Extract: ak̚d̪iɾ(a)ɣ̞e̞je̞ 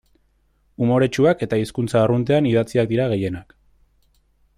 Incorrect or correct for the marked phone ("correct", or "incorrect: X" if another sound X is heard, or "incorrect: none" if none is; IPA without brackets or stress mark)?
correct